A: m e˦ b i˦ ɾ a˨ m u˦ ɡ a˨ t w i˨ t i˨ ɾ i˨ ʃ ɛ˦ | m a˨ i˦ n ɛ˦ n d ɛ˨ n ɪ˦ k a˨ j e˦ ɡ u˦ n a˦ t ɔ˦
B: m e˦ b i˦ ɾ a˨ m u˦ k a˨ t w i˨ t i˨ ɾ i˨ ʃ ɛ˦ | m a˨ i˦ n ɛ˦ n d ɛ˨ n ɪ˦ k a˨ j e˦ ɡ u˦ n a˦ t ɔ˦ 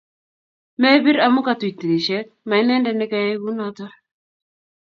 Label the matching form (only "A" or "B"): B